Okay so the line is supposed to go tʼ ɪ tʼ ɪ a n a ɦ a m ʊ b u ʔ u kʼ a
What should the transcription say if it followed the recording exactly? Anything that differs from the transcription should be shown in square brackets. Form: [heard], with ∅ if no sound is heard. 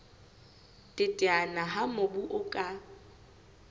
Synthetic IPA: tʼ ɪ tʼ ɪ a n a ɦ a m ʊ b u ʔ [ʊ] kʼ a